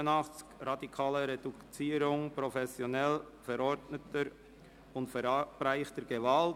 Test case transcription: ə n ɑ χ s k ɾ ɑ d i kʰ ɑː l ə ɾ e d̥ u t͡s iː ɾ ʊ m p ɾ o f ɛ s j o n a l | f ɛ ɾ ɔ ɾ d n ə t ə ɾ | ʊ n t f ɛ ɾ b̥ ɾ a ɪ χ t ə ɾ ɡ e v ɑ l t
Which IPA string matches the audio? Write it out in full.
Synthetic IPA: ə n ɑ χ t͡s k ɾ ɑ d i kʰ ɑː l ə ɾ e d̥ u t͡s iː ɾ ʊ ŋ p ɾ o f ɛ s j o n ɛ l | f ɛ ɾ ɔ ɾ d n ə t ə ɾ | ʊ n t f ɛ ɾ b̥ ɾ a ɪ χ t ə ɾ ɡ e v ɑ l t